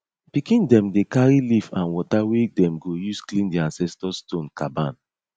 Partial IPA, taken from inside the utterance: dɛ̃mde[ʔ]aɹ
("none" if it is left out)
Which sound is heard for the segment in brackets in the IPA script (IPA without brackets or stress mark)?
k